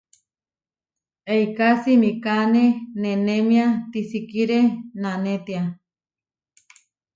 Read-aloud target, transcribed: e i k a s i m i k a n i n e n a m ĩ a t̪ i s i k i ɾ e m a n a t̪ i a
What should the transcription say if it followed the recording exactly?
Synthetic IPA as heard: e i k a s i m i k a n e n e n e m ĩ a t̪ i s i k i ɾ e n a n e t̪ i a